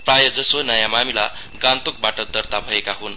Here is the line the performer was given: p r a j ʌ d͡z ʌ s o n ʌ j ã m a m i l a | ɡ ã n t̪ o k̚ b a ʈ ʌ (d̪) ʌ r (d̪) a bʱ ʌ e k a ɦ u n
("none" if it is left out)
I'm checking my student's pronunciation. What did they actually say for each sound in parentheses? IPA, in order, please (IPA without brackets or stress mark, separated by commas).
d̪, t̪